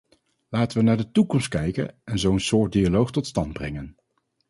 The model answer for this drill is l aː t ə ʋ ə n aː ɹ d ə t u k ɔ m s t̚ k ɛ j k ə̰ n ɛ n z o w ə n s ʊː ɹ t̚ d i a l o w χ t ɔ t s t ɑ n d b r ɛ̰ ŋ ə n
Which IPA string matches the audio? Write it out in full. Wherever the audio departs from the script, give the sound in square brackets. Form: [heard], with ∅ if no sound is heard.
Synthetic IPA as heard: l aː t ə ʋ ə n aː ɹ d ə t u k ɔ m s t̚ k ɛ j k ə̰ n ɛ n z o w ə n s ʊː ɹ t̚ d i a l o w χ t ɔ t s t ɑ n d b r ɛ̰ ŋ ə n